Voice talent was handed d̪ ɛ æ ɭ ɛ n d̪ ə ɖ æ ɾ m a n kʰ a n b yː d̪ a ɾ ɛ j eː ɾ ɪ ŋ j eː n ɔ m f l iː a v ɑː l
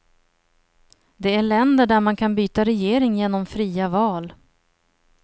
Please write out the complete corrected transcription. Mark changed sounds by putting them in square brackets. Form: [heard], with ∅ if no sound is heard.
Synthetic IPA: d̪ ɛ æ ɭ ɛ n d̪ ə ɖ æ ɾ m a n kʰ a n b yː [t̪] a ɾ ɛ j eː ɾ ɪ ŋ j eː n ɔ m f [ɾ] iː a v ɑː l